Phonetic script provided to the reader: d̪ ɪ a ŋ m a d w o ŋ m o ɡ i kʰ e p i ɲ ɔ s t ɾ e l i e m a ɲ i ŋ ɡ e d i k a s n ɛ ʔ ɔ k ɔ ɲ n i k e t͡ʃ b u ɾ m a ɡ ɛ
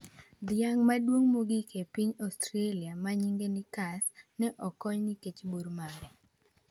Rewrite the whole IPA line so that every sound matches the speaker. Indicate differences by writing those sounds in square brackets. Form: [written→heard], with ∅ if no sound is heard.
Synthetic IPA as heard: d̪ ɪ a ŋ m a d w o ŋ m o ɡ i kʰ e p i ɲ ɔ s t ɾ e l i [e→a] m a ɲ i ŋ ɡ e [d→n] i k a s n ɛ ʔ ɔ k ɔ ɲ n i k e t͡ʃ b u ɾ m a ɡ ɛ